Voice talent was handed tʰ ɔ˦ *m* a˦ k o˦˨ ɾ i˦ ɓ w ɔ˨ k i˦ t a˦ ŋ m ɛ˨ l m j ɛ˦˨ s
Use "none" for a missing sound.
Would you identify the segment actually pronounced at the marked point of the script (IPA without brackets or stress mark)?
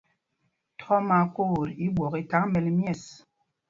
m